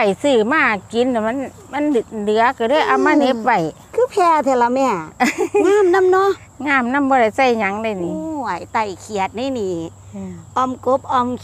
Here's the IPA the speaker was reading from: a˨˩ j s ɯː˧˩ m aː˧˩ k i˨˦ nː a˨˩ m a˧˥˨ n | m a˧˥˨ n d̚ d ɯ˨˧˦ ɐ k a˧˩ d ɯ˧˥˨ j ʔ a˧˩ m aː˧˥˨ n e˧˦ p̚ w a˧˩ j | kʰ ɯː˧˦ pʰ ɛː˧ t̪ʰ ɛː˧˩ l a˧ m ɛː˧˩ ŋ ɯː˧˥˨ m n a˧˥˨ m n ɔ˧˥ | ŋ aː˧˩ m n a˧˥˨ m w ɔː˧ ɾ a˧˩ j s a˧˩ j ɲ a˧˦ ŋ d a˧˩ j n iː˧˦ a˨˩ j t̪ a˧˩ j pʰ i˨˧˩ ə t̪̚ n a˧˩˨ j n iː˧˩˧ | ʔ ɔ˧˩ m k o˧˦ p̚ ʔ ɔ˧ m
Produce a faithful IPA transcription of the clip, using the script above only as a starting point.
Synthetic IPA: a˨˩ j s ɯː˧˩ m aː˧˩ k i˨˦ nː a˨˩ m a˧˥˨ n | m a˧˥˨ n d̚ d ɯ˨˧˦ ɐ k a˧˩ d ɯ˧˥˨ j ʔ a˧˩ m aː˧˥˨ n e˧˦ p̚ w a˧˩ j | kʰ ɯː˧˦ pʰ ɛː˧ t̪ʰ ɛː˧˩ l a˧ m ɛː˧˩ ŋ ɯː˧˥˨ m n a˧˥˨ m n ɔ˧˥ | ŋ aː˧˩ m n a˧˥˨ m b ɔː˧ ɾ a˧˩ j s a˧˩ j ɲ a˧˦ ŋ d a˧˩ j n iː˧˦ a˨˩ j t̪ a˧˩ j kʰ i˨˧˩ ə t̪̚ n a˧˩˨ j n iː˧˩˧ | ʔ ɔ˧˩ m k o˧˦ p̚ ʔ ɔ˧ m